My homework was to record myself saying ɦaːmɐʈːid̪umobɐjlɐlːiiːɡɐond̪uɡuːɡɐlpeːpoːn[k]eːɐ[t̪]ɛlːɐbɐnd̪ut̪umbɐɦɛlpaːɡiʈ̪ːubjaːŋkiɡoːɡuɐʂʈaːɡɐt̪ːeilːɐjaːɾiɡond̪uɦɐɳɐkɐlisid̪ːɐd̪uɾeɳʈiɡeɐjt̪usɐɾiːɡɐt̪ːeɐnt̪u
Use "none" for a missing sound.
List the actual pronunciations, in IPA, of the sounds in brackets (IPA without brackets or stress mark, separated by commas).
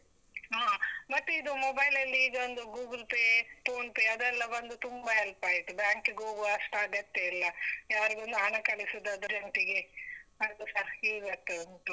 p, d̪